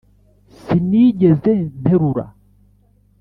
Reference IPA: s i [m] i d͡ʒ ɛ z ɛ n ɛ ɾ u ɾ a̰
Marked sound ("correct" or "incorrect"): incorrect